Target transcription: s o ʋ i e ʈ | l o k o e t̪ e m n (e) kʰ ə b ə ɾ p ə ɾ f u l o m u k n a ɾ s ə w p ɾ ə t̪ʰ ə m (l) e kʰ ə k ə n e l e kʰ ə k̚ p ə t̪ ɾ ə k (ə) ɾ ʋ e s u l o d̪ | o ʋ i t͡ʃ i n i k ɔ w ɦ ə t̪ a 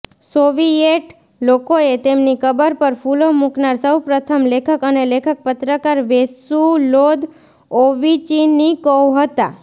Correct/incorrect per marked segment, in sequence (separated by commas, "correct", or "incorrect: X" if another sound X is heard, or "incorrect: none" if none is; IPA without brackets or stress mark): incorrect: i, correct, incorrect: a